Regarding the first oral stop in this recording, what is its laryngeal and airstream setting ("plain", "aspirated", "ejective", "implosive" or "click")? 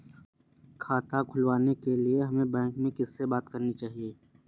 aspirated